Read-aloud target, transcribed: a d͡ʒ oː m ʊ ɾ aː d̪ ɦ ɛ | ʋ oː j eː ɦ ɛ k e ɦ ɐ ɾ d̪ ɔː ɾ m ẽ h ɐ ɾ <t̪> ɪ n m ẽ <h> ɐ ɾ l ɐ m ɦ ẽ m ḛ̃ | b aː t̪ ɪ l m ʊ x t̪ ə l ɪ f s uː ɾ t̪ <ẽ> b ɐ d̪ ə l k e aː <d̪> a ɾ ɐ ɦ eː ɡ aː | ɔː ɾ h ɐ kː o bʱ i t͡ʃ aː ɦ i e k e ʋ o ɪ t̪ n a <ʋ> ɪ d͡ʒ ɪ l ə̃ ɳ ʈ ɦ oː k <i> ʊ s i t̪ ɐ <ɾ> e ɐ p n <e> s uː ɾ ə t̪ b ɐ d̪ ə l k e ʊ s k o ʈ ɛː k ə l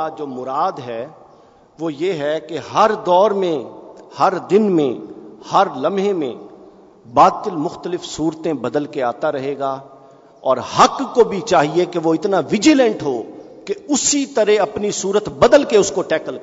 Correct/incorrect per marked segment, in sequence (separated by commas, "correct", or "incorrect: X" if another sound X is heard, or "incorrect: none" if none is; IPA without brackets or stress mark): incorrect: d̪, correct, correct, incorrect: t̪, correct, incorrect: e, correct, incorrect: i